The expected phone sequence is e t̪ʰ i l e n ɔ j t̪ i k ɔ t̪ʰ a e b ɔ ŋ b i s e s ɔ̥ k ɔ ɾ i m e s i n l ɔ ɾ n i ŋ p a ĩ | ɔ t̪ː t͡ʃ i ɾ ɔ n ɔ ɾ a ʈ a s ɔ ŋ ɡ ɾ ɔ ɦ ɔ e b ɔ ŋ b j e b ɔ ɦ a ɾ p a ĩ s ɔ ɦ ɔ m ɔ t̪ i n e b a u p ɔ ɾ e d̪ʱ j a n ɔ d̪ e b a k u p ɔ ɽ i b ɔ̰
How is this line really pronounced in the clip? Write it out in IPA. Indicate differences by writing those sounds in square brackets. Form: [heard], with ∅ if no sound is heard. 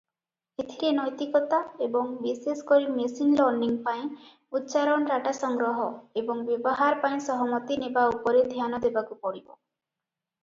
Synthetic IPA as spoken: e t̪ʰ i [ɾ] e n ɔ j t̪ i k ɔ [t̪] a e b ɔ ŋ b i s e s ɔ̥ k ɔ ɾ i m e s i n l ɔ ɾ n i ŋ p a ĩ | [u] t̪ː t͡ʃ [a] ɾ ɔ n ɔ ɾ a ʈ a s ɔ ŋ ɡ ɾ ɔ ɦ ɔ e b ɔ ŋ b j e b ɔ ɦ a ɾ p a ĩ s ɔ ɦ ɔ m ɔ t̪ i n e b a u p ɔ ɾ e d̪ʱ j a n ɔ d̪ e b a k u p ɔ ɽ i b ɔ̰